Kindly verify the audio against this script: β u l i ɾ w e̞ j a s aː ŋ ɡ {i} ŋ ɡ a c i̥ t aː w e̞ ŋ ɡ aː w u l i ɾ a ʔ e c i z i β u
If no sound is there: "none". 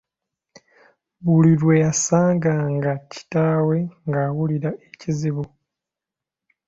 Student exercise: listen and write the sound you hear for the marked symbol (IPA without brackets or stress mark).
a